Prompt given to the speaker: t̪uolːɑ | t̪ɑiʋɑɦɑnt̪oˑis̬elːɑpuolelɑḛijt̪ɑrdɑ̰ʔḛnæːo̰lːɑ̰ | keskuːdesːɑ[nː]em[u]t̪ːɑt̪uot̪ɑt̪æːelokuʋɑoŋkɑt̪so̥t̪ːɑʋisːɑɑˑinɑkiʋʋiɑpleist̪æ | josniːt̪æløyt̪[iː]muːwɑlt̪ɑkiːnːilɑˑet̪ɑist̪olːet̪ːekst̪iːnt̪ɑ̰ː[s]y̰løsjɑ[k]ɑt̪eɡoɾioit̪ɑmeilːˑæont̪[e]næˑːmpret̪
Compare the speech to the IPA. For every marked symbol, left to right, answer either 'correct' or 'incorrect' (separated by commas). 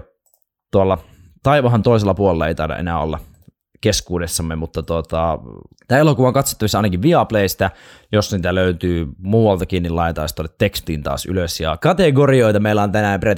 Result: incorrect, correct, incorrect, correct, correct, incorrect